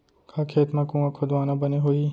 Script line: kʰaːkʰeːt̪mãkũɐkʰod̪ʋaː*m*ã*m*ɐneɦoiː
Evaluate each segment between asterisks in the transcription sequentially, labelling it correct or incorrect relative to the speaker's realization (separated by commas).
incorrect, incorrect